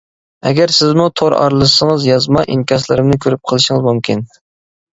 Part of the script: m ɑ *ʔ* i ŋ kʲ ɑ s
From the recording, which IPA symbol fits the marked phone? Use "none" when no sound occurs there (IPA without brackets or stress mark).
ʔ